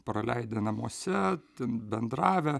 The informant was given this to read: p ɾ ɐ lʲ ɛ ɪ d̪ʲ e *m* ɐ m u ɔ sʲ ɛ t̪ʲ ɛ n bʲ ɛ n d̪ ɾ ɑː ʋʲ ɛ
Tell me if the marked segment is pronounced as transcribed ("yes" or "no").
no